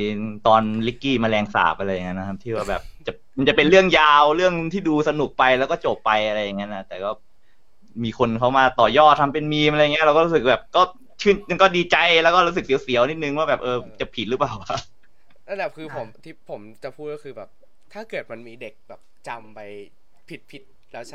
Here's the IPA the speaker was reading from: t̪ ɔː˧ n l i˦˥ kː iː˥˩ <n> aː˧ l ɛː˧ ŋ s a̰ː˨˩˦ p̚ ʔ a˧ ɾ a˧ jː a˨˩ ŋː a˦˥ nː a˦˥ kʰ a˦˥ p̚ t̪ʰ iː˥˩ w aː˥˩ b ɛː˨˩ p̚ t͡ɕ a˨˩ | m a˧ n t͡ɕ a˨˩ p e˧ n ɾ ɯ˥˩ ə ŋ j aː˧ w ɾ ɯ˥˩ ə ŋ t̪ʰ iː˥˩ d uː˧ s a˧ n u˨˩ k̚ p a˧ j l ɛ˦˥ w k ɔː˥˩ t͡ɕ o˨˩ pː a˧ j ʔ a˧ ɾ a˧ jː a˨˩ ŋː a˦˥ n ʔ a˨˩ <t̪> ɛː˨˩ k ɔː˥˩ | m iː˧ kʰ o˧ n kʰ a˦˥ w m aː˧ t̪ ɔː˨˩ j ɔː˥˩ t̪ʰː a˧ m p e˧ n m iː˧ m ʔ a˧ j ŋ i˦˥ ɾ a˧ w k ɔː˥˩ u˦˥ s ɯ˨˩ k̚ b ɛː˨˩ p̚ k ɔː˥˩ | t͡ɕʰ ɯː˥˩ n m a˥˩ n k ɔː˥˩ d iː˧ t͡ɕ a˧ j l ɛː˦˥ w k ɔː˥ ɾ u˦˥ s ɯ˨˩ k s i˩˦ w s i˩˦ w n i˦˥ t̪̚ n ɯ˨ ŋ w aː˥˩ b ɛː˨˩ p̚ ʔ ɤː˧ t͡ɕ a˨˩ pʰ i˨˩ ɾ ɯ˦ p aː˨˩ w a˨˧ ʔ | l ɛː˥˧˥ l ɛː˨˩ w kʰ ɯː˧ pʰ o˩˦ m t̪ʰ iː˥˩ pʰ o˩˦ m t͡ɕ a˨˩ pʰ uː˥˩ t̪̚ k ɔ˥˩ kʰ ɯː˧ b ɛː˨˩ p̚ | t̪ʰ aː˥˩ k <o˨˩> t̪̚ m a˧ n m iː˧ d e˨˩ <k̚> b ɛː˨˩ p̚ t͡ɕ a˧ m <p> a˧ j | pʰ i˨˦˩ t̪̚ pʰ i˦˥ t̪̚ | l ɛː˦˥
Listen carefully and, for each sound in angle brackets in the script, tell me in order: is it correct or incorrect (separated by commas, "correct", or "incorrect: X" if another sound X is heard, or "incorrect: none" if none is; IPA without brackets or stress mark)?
incorrect: m, correct, incorrect: ɤ˨˩, correct, correct